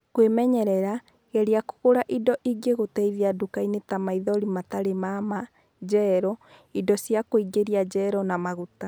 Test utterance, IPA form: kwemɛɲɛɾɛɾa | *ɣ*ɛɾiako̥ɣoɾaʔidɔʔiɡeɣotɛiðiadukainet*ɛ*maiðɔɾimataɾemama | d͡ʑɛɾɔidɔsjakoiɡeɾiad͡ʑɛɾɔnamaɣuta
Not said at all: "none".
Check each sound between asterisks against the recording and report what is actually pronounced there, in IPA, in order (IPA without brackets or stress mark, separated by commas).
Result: ɣ, a